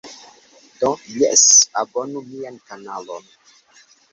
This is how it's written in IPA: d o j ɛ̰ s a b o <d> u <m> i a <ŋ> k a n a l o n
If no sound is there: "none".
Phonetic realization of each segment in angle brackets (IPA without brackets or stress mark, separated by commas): n, m, n